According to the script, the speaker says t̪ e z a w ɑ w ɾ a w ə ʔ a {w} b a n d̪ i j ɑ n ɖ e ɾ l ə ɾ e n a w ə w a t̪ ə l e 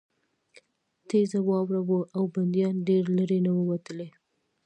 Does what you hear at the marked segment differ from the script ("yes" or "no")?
no